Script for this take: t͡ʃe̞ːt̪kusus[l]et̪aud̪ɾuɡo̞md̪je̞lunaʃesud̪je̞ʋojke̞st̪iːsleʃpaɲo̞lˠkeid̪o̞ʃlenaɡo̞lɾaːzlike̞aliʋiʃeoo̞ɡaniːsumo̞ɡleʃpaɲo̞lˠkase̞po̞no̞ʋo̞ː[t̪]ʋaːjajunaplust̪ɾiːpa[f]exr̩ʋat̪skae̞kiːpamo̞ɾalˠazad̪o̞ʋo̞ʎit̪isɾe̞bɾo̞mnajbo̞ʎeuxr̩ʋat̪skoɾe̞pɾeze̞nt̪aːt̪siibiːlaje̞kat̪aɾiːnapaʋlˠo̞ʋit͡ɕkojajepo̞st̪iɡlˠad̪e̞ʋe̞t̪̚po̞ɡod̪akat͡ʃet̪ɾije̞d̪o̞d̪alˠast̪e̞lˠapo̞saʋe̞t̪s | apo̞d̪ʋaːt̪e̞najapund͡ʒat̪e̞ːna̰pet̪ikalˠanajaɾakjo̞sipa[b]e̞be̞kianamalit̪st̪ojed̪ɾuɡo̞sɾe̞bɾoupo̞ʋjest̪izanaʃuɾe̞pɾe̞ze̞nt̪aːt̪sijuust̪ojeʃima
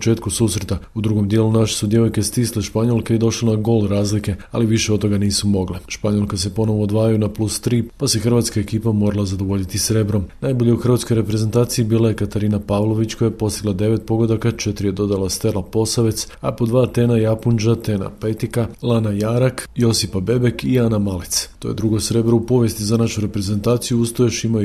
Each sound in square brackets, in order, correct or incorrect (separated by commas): incorrect, incorrect, incorrect, correct